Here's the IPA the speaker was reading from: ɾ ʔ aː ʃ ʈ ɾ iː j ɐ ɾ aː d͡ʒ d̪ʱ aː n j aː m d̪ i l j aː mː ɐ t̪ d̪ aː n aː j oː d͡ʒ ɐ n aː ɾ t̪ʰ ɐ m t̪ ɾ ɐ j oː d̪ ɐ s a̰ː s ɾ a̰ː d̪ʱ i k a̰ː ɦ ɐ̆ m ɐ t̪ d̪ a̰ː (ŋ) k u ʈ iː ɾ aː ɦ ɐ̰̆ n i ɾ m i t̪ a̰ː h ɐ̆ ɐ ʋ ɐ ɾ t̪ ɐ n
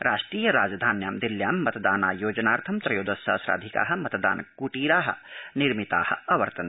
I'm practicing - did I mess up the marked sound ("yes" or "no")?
yes